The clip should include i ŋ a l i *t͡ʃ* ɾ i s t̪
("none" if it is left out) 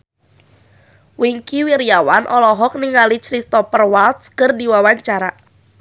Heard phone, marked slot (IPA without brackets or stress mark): t͡ʃ